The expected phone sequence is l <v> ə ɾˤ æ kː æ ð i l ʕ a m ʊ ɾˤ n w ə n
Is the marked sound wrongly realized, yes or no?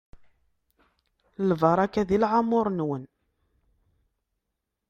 no